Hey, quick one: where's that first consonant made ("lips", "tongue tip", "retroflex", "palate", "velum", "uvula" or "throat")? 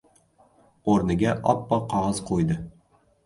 tongue tip